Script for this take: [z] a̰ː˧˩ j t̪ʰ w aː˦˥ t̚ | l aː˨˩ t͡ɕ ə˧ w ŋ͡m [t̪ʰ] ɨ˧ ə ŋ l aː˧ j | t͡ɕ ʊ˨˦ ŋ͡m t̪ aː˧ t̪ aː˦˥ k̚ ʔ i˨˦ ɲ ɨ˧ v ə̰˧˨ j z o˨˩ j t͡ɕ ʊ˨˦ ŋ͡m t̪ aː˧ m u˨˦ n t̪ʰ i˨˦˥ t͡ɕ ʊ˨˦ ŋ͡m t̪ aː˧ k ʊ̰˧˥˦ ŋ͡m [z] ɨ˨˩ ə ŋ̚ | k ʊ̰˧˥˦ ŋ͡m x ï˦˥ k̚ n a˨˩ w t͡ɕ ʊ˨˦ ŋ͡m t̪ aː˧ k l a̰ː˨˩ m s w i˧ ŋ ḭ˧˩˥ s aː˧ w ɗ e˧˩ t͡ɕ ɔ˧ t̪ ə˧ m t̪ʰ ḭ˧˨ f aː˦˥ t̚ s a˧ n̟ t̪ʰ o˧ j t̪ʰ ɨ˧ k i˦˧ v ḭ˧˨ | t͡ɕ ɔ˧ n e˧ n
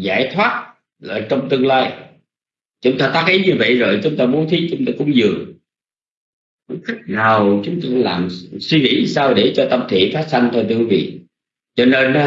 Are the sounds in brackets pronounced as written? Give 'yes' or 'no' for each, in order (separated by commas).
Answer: yes, no, yes